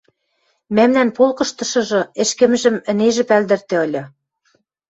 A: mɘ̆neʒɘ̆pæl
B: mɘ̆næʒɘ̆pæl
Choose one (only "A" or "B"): A